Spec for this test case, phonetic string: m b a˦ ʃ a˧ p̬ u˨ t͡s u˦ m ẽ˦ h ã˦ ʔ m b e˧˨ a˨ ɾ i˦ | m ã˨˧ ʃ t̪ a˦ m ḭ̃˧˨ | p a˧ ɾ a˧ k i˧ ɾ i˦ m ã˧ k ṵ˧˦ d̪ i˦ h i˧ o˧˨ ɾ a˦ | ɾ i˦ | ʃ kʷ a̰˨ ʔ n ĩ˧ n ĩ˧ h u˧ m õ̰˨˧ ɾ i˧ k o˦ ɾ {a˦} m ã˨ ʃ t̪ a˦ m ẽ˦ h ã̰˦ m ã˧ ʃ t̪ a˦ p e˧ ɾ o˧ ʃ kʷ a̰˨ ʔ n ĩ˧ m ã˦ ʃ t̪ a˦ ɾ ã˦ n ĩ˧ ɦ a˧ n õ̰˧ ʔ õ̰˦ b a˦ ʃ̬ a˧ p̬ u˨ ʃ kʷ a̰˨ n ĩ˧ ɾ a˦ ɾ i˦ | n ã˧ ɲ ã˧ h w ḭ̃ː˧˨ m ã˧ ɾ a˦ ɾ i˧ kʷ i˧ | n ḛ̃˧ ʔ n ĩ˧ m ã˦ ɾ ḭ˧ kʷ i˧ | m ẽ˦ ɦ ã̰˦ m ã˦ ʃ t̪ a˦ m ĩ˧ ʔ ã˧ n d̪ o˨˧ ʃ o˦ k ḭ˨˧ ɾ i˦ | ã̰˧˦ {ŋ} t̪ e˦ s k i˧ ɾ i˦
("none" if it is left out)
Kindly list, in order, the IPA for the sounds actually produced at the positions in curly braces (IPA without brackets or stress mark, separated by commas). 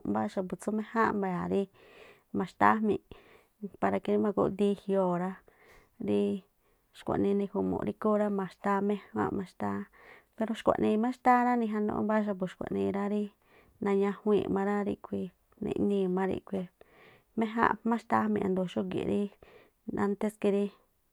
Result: a˦, n